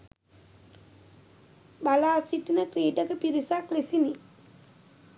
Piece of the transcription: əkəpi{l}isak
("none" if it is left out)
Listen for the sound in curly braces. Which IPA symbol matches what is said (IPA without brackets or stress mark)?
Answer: ɾ